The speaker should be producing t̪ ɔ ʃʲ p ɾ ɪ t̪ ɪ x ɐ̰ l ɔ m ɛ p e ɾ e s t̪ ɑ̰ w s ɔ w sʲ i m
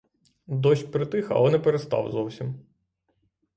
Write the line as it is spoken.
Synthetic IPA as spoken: d̪ ɔ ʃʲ p ɾ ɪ t̪ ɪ x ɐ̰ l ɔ n ɛ p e ɾ e s t̪ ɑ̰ w z ɔ w sʲ i m